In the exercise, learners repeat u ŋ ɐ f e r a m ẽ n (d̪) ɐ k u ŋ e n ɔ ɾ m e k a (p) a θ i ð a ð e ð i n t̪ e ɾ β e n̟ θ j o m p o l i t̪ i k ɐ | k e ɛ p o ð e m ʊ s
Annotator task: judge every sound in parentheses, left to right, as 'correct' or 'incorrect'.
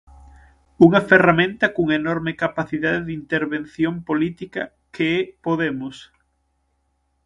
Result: incorrect, correct

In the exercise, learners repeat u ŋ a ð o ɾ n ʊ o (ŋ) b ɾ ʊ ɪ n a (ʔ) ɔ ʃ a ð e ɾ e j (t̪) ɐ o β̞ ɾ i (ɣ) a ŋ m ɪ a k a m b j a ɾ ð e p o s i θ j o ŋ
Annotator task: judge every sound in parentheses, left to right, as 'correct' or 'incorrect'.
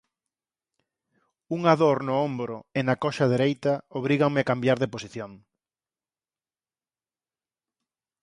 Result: incorrect, incorrect, correct, correct

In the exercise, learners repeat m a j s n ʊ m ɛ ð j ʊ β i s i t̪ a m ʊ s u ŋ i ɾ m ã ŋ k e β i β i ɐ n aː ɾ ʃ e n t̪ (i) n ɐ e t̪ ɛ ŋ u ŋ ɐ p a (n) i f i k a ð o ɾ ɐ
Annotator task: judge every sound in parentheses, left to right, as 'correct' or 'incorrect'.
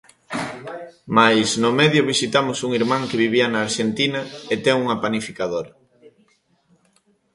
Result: correct, correct

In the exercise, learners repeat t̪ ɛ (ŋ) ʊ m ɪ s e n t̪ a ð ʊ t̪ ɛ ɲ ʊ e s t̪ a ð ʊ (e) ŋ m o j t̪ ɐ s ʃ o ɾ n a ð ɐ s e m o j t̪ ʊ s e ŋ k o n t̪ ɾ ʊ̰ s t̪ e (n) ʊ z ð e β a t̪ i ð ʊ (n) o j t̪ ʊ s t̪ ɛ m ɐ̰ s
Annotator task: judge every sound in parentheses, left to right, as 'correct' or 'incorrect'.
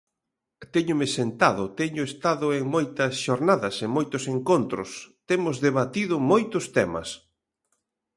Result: incorrect, correct, incorrect, incorrect

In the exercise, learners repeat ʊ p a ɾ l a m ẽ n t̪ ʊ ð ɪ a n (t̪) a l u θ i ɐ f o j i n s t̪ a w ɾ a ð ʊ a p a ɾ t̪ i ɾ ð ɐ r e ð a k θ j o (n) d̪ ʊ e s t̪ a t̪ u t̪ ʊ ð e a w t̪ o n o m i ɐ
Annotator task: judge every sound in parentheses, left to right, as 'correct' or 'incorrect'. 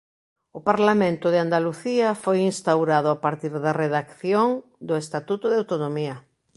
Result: incorrect, incorrect

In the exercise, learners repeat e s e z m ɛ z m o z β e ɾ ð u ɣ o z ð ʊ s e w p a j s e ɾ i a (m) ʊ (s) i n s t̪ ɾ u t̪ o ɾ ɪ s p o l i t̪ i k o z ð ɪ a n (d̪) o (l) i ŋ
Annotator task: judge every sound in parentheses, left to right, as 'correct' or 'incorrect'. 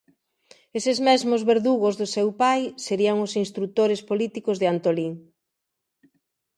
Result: incorrect, correct, incorrect, correct

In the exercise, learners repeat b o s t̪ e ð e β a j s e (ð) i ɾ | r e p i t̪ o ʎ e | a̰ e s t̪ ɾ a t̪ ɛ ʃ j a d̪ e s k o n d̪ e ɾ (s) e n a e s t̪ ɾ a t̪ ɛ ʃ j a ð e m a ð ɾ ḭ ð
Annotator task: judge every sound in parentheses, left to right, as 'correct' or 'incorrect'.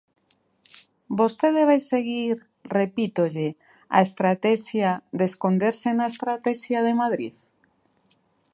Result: incorrect, correct

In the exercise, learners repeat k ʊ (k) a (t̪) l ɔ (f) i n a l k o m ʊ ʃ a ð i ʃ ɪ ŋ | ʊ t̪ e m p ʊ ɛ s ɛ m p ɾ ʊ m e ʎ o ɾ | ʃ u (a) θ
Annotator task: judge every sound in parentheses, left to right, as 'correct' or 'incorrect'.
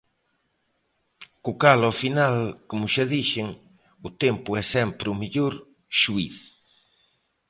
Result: correct, incorrect, correct, incorrect

